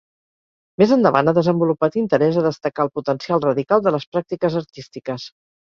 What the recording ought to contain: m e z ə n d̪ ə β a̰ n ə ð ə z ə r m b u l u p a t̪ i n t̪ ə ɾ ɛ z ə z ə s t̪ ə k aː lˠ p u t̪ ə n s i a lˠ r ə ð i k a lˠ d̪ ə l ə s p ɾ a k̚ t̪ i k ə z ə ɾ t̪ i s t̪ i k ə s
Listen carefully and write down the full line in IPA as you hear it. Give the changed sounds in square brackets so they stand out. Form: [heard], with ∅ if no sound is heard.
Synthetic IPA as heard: m e z ə n d̪ ə β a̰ n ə ð ə z ə [∅] m b u l u p a t̪ i n t̪ ə ɾ ɛ z ə [ð] ə s t̪ ə k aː lˠ p u t̪ ə n s i a lˠ r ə ð i k a lˠ d̪ ə l ə s p ɾ a k̚ t̪ i k ə z ə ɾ t̪ i s t̪ i k ə s